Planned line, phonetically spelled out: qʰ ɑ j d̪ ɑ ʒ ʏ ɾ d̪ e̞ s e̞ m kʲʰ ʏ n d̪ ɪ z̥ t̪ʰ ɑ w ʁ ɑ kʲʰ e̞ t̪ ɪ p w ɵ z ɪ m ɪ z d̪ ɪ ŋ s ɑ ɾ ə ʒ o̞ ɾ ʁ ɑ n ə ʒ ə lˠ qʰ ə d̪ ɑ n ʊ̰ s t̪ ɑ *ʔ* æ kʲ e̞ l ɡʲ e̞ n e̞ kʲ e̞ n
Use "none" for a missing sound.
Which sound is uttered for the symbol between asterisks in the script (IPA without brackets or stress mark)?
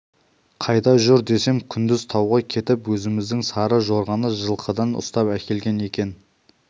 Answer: p